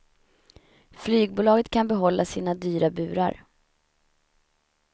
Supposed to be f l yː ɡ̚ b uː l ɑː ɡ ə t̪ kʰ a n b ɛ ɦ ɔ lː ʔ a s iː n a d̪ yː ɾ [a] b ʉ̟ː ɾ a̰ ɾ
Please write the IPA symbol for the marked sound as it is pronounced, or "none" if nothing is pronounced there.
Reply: a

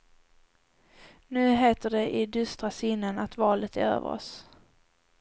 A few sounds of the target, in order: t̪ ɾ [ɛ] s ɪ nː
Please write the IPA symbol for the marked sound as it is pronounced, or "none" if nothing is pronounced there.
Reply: a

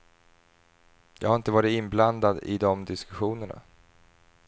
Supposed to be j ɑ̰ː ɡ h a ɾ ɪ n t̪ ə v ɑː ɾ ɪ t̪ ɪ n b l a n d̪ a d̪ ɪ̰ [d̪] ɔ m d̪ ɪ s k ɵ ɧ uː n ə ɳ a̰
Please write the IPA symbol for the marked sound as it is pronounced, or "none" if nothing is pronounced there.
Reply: d̪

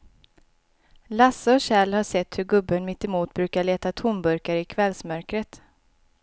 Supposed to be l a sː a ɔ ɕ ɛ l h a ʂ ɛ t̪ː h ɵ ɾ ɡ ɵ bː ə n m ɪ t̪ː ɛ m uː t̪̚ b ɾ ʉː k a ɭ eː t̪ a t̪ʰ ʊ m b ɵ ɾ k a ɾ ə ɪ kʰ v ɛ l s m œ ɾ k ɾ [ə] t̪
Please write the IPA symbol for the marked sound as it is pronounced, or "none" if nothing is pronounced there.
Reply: ə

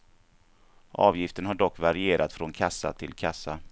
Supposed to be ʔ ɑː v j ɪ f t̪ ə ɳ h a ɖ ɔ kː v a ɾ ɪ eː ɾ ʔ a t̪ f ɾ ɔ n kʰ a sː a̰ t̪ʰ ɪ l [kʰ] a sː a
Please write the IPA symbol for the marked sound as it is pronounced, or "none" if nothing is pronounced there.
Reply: kʰ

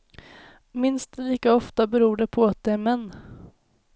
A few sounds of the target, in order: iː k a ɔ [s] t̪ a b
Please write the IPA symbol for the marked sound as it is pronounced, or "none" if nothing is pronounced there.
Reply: f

